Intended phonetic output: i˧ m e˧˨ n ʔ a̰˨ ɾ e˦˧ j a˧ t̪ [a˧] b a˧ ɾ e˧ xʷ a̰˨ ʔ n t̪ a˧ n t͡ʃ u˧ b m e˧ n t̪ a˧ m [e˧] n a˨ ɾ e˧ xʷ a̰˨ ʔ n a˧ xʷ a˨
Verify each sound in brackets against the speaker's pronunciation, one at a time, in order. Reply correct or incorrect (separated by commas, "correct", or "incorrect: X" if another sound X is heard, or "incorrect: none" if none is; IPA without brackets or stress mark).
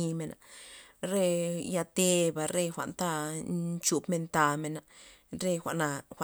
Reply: incorrect: e˧, correct